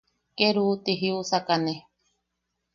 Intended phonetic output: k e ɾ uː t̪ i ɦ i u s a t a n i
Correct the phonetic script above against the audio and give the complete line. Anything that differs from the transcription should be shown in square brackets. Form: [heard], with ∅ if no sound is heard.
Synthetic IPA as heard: k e ɾ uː t̪ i ɦ i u s a [k] a n [e]

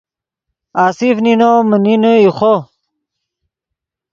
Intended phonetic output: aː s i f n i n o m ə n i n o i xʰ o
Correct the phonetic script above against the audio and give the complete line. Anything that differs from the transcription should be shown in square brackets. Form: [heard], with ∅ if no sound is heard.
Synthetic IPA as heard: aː s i f n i n o m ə n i n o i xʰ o

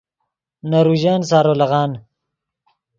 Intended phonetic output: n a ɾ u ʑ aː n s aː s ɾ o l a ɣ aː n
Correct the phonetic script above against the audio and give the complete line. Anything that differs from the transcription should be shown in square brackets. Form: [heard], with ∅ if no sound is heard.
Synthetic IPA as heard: n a ɾ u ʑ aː n s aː [∅] ɾ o l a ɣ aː n

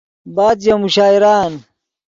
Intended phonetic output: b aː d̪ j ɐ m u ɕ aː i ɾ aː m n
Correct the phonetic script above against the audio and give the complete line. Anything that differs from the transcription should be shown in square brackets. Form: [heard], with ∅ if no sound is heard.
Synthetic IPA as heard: b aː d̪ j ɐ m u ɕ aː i ɾ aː [∅] n

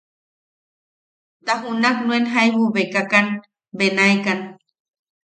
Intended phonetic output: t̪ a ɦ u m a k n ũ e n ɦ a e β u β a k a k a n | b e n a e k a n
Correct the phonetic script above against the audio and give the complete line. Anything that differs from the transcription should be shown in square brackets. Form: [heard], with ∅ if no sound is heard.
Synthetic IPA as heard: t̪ a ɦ u [n] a k n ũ e n ɦ a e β u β [e] k a k a n | b e n a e k a n

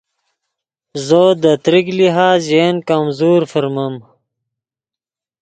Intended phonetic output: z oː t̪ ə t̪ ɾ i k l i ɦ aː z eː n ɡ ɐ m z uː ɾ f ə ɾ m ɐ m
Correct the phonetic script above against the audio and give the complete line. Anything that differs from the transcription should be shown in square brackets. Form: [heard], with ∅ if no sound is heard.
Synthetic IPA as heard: z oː [d̪] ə t̪ ɾ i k l i ɦ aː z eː n [k] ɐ m z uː ɾ f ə ɾ m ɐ m

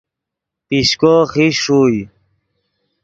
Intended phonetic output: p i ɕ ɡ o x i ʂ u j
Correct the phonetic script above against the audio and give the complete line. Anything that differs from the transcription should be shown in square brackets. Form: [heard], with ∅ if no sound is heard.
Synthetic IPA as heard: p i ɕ [k] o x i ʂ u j

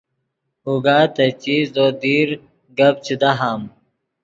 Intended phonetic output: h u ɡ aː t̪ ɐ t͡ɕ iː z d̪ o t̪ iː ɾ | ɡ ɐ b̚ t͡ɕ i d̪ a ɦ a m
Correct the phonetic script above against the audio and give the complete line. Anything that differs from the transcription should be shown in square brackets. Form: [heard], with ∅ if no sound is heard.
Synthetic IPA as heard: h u ɡ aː t̪ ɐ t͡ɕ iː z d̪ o [d̪] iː ɾ | ɡ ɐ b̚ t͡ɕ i d̪ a ɦ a m

